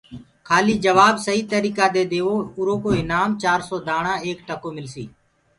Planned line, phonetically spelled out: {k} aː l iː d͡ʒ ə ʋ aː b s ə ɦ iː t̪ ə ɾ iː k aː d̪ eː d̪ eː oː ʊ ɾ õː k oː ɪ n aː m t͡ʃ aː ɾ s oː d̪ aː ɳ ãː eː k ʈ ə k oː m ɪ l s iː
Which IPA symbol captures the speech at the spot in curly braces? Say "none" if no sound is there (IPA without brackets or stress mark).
kʰ